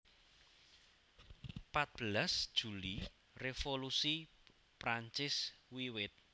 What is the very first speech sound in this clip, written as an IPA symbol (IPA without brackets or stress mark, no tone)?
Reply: p